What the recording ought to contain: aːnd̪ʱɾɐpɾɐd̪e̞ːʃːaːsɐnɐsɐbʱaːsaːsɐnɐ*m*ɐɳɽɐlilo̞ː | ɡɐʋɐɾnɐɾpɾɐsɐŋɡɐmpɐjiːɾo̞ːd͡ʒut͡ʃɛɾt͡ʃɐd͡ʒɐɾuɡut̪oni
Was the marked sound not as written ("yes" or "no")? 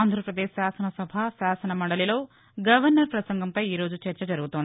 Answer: no